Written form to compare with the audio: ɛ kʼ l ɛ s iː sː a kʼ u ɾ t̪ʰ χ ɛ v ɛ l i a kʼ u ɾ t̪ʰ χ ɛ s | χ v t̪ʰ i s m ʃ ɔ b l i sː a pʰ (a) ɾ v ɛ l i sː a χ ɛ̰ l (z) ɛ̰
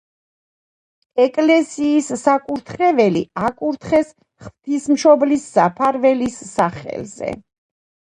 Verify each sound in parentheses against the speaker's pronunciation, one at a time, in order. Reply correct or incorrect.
correct, correct

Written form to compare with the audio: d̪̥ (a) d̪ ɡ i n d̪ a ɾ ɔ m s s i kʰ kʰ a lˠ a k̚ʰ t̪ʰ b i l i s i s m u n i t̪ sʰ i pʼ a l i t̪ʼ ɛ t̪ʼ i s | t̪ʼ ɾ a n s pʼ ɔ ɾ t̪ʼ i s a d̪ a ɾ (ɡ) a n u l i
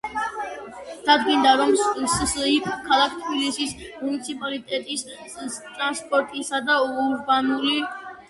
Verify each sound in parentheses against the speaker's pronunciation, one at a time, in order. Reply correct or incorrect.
correct, incorrect: b

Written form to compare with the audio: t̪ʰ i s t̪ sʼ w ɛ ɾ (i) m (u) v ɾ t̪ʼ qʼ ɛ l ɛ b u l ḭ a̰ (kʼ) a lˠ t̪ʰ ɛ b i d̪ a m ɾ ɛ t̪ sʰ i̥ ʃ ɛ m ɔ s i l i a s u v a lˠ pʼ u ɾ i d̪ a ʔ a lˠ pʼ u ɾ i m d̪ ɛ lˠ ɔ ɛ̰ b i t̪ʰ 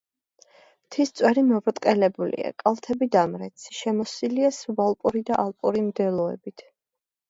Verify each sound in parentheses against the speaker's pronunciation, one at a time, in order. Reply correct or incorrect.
correct, incorrect: ɔ, correct

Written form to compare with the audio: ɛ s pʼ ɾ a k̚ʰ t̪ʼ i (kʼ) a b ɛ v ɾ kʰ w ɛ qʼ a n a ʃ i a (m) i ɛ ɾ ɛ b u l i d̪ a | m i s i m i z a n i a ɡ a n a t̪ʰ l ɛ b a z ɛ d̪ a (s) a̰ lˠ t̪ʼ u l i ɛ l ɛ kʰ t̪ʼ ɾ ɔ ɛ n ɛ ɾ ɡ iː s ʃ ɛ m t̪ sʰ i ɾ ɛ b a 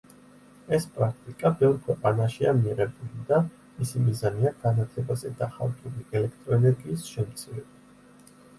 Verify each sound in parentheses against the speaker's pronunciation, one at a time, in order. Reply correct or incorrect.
correct, correct, incorrect: χ

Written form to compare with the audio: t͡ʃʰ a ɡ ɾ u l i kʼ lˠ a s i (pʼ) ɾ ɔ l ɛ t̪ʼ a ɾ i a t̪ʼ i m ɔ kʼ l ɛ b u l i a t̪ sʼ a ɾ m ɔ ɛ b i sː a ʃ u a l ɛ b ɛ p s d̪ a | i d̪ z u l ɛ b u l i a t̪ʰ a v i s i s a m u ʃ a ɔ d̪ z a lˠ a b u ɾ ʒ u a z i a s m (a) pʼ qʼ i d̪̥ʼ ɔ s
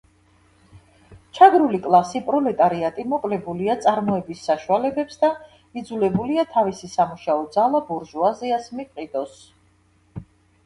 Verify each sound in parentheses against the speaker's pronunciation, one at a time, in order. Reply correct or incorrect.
correct, incorrect: i

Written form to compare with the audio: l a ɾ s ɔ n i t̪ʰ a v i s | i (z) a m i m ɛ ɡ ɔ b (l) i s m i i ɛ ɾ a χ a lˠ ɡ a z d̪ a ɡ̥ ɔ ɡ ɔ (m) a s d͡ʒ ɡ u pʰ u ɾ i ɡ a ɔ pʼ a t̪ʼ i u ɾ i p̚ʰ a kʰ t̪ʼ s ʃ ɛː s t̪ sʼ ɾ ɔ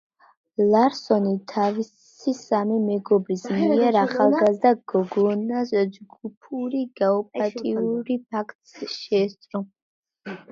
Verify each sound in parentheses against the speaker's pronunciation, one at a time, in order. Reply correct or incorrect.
incorrect: s, incorrect: ɾ, incorrect: n

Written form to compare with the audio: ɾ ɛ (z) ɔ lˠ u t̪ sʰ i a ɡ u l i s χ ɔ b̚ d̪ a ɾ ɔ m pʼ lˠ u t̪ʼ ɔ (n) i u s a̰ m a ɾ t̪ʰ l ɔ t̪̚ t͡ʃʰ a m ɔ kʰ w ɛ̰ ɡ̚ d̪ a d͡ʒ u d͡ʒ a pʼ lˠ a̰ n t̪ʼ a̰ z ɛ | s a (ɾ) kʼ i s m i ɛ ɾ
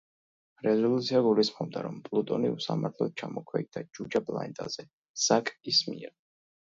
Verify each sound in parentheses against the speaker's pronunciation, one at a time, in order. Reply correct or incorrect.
correct, correct, incorrect: none

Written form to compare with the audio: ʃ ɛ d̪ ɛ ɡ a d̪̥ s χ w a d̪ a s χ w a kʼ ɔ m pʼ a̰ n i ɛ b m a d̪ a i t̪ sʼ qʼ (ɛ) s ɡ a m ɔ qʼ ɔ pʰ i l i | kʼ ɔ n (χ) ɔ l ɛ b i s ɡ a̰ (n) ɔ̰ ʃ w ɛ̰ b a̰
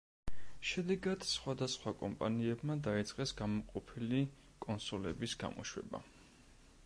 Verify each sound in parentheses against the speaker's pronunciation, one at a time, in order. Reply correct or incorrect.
correct, incorrect: s, incorrect: m

